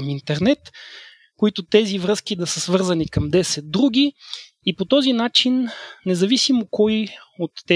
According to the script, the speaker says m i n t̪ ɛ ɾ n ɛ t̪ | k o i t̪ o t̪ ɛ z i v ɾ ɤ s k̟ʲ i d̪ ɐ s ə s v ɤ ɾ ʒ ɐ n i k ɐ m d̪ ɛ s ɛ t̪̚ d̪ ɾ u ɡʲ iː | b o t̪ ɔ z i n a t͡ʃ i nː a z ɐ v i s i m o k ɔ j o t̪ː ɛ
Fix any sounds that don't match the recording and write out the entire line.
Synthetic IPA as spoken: m i n t̪ ɛ ɾ n ɛ t̪ | k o i t̪ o t̪ ɛ z i v ɾ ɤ s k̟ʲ i d̪ ɐ s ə s v ɤ ɾ z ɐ n i k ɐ m d̪ ɛ s ɛ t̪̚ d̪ ɾ u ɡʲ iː | p o t̪ ɔ z i n a t͡ʃ i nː ɛ z ɐ v i s i m o k ɔ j o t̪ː ɛ